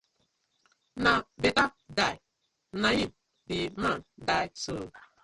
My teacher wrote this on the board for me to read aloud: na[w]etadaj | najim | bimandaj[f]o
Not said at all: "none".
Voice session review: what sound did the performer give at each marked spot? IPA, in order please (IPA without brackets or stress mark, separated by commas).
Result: b, s